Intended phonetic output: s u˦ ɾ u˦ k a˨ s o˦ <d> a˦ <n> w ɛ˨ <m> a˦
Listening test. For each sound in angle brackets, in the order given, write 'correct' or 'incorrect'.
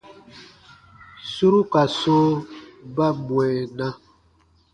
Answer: incorrect: b, incorrect: m, incorrect: n

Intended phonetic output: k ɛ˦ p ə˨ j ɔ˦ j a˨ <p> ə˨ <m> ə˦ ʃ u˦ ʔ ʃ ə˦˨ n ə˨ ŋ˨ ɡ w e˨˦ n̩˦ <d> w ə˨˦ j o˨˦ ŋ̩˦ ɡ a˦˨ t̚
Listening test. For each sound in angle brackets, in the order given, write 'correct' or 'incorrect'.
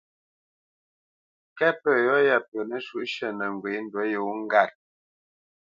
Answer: correct, incorrect: n, correct

